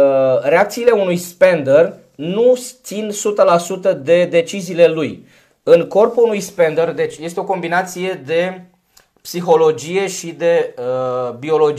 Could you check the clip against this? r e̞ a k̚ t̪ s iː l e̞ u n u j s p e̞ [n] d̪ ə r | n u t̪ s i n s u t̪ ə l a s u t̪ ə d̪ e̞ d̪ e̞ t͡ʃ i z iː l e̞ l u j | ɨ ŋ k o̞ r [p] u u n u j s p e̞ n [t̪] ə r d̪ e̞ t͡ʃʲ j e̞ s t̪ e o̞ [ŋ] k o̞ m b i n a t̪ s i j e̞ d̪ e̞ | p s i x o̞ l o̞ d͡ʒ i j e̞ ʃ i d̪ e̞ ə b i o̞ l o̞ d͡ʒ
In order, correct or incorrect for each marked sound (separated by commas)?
correct, correct, incorrect, incorrect